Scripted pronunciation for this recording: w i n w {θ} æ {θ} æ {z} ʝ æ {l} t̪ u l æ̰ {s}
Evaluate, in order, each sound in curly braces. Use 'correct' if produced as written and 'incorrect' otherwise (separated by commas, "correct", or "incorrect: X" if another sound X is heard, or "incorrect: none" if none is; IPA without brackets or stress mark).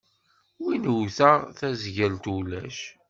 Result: correct, correct, correct, correct, incorrect: ʃ